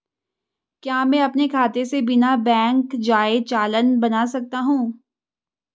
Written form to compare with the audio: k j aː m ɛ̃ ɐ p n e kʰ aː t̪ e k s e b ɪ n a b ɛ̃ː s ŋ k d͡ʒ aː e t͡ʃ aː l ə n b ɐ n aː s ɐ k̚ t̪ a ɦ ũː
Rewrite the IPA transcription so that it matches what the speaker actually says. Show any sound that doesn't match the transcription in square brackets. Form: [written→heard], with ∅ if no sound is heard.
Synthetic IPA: k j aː m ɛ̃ ɐ p n e kʰ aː t̪ e [k→∅] s e b ɪ n a b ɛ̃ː [s→∅] ŋ k d͡ʒ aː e t͡ʃ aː l ə n b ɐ n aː s ɐ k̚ t̪ a ɦ ũː

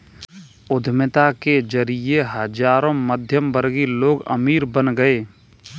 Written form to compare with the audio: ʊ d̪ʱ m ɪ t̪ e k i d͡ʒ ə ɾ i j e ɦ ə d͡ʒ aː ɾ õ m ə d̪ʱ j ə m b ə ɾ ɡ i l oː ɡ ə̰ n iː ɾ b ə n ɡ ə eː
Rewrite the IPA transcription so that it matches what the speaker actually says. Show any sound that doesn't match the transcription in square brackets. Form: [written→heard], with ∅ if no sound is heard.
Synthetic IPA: ʊ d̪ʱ m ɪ t̪ [e→a] k [i→e] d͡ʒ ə ɾ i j e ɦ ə d͡ʒ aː ɾ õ m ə d̪ʱ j ə m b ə ɾ ɡ i l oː ɡ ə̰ [n→m] iː ɾ b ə n ɡ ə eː

